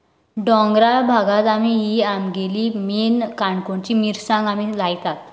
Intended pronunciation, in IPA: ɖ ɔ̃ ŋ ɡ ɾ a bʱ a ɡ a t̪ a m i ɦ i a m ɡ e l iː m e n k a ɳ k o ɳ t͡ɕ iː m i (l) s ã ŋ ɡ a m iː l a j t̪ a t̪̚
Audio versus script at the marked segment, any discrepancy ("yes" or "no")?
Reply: yes